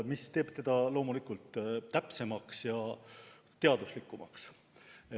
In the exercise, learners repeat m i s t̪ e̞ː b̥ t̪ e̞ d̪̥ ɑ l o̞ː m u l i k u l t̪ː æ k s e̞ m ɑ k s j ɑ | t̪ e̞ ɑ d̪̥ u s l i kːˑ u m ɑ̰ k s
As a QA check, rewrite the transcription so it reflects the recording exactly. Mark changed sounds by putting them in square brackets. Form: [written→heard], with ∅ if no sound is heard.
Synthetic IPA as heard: m i s t̪ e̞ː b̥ t̪ e̞ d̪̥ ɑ l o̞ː m u l i k u l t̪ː æ [k→p] s e̞ m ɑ k s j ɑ | t̪ e̞ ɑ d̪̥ u s l i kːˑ u m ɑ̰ k s